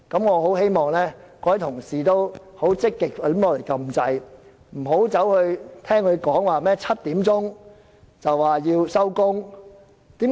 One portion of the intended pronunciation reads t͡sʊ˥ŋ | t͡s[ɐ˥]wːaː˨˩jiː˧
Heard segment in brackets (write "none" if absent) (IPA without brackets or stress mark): ɐ˨